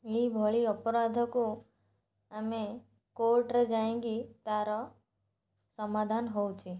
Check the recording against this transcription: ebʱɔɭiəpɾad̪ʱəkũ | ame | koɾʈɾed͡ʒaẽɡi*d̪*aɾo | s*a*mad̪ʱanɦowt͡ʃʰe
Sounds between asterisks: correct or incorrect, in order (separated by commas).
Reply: incorrect, incorrect